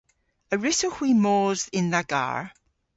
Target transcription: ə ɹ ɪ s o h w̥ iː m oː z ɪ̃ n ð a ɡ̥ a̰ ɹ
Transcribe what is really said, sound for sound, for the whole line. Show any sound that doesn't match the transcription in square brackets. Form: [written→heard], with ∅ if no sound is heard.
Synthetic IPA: ə ɹ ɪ s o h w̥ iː m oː z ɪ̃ n ð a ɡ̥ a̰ ɹ